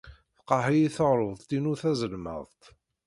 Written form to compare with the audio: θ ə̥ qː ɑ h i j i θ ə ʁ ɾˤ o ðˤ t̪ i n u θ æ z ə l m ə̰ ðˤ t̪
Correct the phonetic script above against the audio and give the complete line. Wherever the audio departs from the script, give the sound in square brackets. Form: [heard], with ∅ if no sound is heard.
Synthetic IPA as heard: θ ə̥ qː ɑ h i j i θ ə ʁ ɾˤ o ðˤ t̪ i n u θ æ z ə l m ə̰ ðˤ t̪